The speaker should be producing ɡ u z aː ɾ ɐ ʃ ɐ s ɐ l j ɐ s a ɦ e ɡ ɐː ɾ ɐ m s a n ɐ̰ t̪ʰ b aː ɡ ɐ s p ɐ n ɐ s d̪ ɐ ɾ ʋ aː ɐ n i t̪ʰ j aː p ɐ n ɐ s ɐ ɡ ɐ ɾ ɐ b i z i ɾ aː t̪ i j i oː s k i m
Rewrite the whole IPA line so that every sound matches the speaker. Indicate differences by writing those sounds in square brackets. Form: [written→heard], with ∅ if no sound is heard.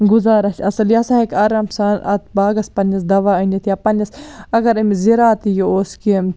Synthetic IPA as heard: ɡ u z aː ɾ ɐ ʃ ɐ s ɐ l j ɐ s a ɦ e [ɡ→k] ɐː ɾ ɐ m s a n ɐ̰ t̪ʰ b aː ɡ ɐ s p ɐ n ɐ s d̪ ɐ [ɾ→∅] ʋ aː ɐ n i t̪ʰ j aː p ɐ n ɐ s ɐ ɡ ɐ ɾ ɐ [b→m] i z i ɾ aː t̪ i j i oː s k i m